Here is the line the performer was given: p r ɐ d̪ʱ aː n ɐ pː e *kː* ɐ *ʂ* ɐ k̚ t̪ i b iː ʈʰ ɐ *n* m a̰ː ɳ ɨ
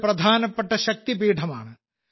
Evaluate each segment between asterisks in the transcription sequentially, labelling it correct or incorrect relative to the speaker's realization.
incorrect: ʈː, incorrect: ɕ, incorrect: none

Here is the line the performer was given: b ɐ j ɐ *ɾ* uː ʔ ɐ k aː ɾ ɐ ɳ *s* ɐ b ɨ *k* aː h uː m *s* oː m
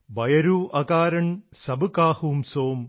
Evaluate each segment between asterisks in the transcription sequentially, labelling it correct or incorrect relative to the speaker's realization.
correct, correct, correct, correct

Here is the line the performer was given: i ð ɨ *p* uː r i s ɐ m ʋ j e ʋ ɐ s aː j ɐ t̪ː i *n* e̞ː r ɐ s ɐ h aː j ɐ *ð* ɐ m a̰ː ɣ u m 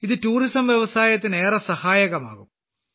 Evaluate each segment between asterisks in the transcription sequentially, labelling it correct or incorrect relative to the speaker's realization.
incorrect: t, correct, incorrect: ɣ

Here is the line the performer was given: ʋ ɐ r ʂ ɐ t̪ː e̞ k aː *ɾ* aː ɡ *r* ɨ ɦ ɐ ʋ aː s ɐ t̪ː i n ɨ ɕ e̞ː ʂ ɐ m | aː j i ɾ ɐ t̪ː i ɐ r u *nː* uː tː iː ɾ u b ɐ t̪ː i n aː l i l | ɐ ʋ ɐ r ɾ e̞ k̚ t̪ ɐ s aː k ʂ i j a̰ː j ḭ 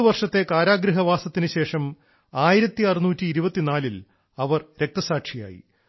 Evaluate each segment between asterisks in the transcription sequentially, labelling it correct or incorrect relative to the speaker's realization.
correct, incorrect: ɾ, incorrect: n

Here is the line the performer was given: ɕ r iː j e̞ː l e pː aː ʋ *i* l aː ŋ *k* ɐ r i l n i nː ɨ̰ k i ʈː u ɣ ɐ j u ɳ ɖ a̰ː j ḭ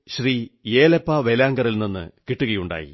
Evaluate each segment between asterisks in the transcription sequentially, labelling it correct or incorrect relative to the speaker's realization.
incorrect: e, incorrect: ɡ

